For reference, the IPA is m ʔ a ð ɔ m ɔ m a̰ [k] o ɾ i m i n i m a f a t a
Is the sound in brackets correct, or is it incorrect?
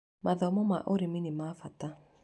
incorrect